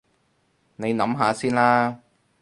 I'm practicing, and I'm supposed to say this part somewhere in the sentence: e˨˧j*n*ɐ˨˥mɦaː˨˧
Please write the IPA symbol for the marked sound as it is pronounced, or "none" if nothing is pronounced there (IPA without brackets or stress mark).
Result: n